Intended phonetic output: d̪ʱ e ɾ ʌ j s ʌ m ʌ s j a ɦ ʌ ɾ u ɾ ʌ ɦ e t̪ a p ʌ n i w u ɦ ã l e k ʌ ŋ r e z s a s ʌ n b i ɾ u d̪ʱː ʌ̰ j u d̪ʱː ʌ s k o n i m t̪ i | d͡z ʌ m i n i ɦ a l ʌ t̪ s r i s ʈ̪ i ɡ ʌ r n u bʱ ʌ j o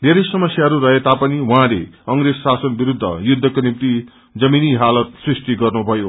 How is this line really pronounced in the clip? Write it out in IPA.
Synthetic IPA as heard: d̪ʱ e ɾ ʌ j s ʌ m ʌ s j a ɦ ʌ ɾ u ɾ ʌ ɦ e t̪ a p ʌ n i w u ɦ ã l e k ʌ ŋ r e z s a s ʌ n b i ɾ u d̪ʱː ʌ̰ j u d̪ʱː ʌ k o n i m t̪ i | d͡z ʌ m i n i ɦ a l ʌ t̪ s r i s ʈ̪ i ɡ ʌ r n u bʱ ʌ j o